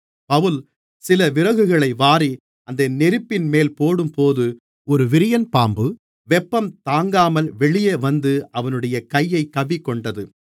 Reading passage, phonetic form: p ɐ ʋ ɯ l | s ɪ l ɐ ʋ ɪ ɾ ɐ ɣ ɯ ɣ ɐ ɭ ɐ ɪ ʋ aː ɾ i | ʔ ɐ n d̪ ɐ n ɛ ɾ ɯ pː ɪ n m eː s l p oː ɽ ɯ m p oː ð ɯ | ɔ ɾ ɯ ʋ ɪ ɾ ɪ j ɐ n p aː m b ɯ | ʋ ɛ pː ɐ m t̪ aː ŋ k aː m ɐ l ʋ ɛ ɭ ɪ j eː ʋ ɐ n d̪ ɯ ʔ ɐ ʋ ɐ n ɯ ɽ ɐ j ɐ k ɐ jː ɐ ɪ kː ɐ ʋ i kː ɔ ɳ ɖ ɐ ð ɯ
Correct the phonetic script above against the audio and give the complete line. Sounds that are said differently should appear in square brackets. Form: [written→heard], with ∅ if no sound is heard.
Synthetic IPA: p ɐ ʋ ɯ l | s ɪ l ɐ ʋ ɪ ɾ ɐ ɣ ɯ ɣ ɐ ɭ ɐ ɪ ʋ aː ɾ i | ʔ ɐ n d̪ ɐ n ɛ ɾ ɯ pː ɪ n m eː [s→∅] l p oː ɽ ɯ m p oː ð ɯ | ɔ ɾ ɯ ʋ ɪ ɾ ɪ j ɐ n p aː m b ɯ | ʋ ɛ pː ɐ m t̪ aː ŋ [k→ɡ] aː m ɐ l ʋ ɛ ɭ ɪ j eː ʋ ɐ n d̪ ɯ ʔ ɐ ʋ ɐ n ɯ ɽ ɐ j ɐ k ɐ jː ɐ ɪ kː ɐ ʋ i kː ɔ ɳ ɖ ɐ ð ɯ